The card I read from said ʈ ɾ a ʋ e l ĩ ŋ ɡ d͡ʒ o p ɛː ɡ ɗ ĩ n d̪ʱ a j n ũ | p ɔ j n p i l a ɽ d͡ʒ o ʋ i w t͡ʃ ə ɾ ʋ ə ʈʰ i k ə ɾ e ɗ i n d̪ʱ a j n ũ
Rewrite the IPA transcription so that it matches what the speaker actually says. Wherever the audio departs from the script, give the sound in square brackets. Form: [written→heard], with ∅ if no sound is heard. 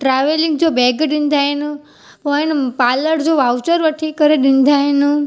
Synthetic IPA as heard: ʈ ɾ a ʋ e l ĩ ŋ ɡ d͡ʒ o [p→b] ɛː ɡ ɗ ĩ n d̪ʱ a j n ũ | p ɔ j n p [i→a] l [a→ə] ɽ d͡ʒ o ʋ [i→a] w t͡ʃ ə ɾ ʋ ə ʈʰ i k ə ɾ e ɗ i n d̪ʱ a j n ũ

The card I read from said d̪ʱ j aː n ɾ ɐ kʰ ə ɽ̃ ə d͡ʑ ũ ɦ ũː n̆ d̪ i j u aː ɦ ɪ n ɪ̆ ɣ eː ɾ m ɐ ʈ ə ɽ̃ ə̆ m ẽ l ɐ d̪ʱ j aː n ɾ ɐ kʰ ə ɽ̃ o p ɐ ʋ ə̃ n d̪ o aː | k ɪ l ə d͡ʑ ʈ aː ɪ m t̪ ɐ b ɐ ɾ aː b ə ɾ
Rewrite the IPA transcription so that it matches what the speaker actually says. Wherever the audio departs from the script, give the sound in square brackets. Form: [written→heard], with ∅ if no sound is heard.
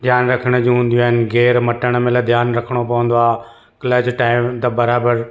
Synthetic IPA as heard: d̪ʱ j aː n ɾ ɐ kʰ ə ɽ̃ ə d͡ʑ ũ ɦ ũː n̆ d̪ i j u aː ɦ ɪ n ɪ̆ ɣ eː ɾ m ɐ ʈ ə ɽ̃ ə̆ m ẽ l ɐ d̪ʱ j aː n ɾ ɐ kʰ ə ɽ̃ o p ɐ ʋ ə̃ n d̪ o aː | k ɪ l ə d͡ʑ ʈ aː ɪ m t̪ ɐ b ɐ ɾ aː b ə ɾ

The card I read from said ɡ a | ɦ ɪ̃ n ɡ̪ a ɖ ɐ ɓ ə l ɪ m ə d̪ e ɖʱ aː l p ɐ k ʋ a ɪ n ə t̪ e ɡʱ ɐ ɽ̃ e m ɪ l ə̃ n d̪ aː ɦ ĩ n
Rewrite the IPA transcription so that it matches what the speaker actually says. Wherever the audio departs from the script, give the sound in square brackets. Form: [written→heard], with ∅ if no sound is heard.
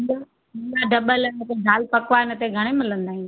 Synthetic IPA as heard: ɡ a | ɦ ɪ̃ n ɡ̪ a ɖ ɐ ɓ ə l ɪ [m→n] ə [d̪→t̪] e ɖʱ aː l p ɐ k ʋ a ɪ n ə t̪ e ɡʱ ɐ ɽ̃ e m ɪ l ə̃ n d̪ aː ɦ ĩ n

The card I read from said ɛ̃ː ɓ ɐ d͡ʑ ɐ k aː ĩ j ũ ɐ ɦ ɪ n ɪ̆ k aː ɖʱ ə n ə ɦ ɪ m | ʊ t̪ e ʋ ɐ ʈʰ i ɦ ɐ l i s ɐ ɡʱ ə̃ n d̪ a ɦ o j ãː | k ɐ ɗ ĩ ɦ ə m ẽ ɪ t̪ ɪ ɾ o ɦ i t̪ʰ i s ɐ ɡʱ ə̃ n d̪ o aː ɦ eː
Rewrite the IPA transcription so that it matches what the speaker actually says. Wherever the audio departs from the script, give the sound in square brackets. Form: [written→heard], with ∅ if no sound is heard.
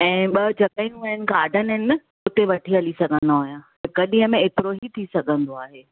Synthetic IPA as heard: ɛ̃ː ɓ ɐ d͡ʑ ɐ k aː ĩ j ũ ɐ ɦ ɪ n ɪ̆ k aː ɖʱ ə n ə ɦ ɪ [m→n] | ʊ t̪ e ʋ ɐ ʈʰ i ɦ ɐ l i s ɐ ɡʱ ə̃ n d̪ a ɦ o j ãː | k ɐ ɗ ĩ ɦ ə m ẽ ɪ t̪ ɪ ɾ o ɦ i t̪ʰ i s ɐ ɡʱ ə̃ n d̪ o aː ɦ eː

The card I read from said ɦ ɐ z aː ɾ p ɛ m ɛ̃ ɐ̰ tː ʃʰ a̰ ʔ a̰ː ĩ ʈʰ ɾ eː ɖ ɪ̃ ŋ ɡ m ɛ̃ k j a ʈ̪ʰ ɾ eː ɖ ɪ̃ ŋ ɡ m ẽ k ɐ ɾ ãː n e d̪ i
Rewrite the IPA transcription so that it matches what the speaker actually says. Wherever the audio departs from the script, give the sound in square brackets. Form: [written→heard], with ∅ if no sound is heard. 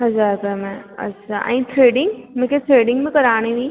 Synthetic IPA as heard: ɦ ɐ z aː ɾ p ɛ m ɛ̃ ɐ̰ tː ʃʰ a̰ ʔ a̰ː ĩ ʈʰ ɾ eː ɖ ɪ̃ ŋ ɡ m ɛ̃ k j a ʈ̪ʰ ɾ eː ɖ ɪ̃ ŋ ɡ m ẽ k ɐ ɾ [ãː→aː] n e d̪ i

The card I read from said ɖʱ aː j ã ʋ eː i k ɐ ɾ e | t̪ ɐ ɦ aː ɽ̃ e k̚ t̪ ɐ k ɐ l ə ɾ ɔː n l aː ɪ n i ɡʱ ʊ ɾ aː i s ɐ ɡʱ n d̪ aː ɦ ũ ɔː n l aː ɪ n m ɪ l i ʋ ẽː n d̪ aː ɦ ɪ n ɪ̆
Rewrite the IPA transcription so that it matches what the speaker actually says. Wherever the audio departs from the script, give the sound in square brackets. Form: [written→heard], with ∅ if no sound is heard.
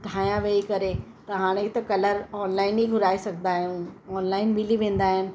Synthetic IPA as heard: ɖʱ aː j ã ʋ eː i k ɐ ɾ e | t̪ ɐ ɦ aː ɽ̃ e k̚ t̪ ɐ k ɐ l ə ɾ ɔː n l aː ɪ n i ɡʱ ʊ ɾ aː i s ɐ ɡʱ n d̪ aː ɦ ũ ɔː n l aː ɪ n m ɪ l i ʋ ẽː n d̪ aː ɦ ɪ n ɪ̆

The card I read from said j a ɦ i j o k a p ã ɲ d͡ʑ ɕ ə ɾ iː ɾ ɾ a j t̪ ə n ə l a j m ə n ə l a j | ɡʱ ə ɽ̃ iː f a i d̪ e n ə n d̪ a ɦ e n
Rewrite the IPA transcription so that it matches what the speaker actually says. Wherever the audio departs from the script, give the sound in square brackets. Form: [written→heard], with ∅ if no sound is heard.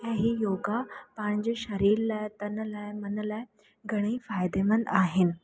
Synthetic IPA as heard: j a ɦ i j o [k→ɡ] a p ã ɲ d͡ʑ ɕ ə ɾ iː ɾ [ɾ→l] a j t̪ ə n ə l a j m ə n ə l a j | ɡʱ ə ɽ̃ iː f a [i→j] d̪ e [n→m] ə n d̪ a ɦ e n

